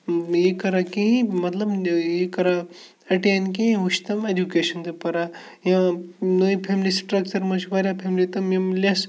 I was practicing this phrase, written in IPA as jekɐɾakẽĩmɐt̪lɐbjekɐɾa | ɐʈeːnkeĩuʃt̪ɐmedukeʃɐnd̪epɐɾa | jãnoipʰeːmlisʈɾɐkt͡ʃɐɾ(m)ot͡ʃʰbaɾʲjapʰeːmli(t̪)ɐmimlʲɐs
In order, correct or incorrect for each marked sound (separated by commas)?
correct, correct